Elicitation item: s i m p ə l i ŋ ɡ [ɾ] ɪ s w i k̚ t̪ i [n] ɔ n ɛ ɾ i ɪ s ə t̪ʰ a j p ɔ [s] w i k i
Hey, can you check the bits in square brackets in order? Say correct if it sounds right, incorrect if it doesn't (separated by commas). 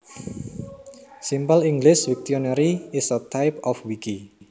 incorrect, incorrect, incorrect